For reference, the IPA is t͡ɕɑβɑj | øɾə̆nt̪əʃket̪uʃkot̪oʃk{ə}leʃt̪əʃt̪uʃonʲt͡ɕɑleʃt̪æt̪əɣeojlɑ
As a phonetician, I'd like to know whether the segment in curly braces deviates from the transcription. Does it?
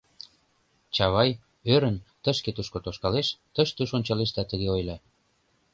yes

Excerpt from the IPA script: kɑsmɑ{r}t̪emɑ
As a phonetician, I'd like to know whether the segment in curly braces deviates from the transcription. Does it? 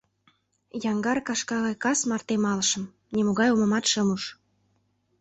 no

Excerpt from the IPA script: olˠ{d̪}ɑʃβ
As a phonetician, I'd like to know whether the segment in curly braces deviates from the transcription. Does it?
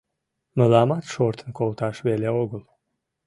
yes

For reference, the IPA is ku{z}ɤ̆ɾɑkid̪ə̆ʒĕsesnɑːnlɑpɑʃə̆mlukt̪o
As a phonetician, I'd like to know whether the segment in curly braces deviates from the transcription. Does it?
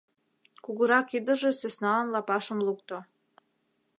yes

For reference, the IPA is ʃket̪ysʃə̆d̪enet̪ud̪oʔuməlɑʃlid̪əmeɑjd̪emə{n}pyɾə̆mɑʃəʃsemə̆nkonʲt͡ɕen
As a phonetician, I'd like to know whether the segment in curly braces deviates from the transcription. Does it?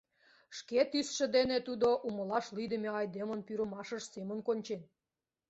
no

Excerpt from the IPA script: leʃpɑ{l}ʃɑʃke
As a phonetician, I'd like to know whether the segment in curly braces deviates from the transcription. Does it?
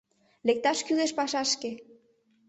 yes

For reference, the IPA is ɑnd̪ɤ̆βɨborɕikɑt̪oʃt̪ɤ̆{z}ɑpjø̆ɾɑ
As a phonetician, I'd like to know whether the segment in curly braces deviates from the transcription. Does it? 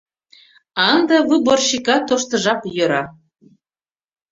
yes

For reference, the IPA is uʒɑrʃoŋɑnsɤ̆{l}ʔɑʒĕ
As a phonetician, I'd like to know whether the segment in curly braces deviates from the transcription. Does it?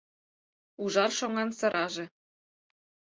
yes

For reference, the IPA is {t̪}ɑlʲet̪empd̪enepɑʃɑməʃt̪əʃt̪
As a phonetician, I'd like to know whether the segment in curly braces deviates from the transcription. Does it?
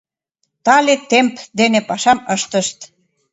no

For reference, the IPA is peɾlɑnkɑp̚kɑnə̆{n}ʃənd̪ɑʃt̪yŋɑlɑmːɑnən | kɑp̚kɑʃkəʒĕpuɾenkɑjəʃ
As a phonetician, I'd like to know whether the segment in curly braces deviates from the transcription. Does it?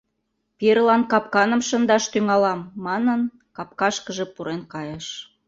yes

